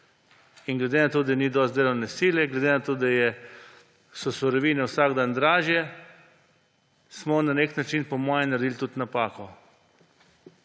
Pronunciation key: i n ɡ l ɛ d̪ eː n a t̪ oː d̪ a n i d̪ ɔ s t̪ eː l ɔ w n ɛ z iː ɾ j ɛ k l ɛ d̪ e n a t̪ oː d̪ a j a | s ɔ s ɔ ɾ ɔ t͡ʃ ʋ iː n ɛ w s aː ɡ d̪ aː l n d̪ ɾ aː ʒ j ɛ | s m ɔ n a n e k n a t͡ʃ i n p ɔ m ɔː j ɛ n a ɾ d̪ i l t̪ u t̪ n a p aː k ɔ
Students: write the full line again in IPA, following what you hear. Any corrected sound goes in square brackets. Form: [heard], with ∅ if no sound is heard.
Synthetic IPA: i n ɡ l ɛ d̪ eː n a t̪ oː d̪ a n i d̪ ɔ s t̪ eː l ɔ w n ɛ [s] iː [l] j ɛ [ɡ] l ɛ d̪ e n a t̪ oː d̪ a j [ɛ] | s ɔ s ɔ ɾ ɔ [∅] ʋ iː n ɛ w s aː ɡ d̪ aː [∅] n d̪ ɾ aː ʒ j ɛ | s m ɔ n a n e k n a t͡ʃ i n p ɔ m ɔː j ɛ n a ɾ d̪ i l t̪ u t̪ n a p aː k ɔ